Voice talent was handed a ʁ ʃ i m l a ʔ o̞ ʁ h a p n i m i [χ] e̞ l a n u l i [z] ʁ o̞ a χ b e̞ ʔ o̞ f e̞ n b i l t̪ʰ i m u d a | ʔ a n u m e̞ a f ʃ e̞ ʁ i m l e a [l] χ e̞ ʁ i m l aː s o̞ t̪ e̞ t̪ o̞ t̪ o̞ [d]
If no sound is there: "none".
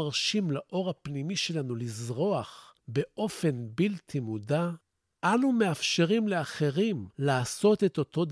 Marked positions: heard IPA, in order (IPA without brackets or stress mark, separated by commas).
ʃ, z, none, d